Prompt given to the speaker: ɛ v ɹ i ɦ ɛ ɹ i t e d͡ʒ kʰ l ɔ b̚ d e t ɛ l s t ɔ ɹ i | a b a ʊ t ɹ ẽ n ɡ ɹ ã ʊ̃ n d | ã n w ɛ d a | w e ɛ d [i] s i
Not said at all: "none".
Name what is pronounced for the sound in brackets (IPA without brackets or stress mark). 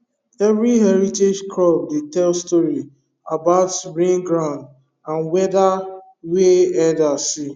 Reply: a